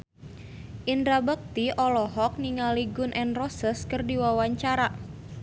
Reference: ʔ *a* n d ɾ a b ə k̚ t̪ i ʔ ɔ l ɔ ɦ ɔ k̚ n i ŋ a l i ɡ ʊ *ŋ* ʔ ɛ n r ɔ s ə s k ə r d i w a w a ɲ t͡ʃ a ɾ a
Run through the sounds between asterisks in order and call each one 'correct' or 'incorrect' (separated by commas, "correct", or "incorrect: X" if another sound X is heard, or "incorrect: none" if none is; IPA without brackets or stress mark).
incorrect: i, incorrect: n